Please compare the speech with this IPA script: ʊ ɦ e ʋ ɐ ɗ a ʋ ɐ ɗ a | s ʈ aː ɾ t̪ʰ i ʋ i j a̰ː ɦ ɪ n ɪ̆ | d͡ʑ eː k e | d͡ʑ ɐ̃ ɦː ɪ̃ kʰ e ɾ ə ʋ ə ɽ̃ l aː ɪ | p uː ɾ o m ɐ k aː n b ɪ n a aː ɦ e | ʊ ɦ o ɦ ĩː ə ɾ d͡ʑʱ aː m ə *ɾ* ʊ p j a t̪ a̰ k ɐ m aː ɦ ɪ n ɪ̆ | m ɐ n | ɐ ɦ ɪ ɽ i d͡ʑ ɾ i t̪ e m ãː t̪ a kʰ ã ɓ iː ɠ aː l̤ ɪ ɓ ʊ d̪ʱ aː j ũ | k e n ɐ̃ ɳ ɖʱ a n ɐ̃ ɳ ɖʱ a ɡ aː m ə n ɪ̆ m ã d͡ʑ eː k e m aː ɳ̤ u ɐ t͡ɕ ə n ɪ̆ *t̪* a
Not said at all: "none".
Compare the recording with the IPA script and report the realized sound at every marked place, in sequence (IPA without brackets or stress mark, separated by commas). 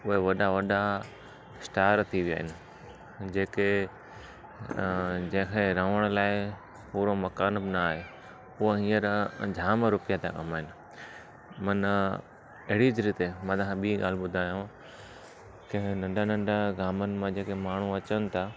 ɾ, t̪ʰ